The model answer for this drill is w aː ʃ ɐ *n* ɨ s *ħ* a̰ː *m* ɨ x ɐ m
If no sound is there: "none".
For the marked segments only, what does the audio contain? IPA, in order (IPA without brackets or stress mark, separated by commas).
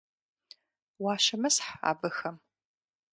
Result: m, ħ, b